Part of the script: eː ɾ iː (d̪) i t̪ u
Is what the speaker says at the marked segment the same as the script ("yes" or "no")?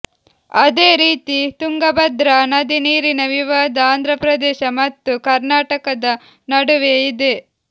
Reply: no